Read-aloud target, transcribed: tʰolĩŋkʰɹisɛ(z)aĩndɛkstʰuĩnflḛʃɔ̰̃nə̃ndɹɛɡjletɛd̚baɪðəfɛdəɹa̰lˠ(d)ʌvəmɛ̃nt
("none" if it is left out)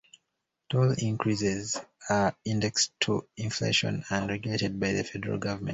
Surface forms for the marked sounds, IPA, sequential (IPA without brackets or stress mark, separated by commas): z, ɡ